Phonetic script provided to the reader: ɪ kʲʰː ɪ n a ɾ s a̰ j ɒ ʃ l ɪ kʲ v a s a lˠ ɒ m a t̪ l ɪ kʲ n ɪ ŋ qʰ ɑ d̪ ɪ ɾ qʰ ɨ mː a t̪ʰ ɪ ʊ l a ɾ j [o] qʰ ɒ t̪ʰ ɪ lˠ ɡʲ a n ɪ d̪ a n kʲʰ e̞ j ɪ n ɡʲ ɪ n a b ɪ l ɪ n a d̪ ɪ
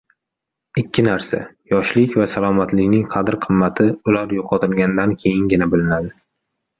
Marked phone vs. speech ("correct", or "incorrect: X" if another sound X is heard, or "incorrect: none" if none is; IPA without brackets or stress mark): correct